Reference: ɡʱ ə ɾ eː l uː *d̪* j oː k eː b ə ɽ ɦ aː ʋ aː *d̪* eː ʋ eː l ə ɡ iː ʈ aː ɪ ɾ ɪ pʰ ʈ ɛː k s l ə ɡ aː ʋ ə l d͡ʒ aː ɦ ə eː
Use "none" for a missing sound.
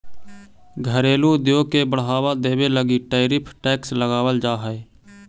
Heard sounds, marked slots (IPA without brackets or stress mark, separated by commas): d̪, d̪